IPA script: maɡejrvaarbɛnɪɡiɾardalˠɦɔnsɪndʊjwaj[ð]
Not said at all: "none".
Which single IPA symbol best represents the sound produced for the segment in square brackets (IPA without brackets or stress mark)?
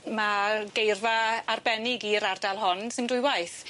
θ